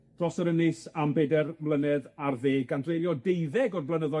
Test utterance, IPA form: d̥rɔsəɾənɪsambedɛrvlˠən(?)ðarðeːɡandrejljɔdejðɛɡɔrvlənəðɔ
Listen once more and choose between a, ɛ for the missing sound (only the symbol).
ɛ